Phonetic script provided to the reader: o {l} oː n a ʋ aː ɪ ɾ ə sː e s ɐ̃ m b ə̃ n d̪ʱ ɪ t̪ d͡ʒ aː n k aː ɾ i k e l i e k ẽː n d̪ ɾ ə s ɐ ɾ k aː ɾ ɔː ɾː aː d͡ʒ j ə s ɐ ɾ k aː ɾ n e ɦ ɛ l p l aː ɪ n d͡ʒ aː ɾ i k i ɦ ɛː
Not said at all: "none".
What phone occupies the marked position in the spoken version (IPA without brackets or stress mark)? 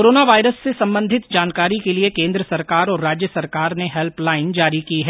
ɾ